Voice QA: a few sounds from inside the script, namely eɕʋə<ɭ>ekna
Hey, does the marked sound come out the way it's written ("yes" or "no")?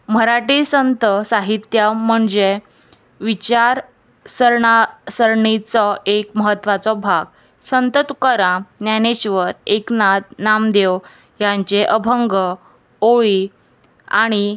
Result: no